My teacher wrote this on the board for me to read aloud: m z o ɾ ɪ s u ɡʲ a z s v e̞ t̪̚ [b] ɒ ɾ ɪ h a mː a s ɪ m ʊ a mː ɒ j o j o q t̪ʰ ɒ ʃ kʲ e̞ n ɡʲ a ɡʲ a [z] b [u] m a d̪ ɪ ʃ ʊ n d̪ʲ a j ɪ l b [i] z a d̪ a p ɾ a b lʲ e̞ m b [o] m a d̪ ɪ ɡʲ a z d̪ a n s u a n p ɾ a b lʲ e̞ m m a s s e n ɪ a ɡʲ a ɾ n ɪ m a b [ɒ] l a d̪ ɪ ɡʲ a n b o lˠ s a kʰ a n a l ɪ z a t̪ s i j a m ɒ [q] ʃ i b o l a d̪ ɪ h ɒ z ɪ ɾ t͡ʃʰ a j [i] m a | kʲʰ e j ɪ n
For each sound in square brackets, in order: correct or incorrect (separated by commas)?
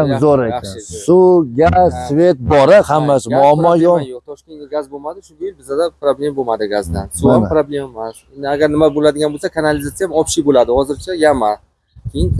correct, correct, incorrect, incorrect, correct, incorrect, incorrect, incorrect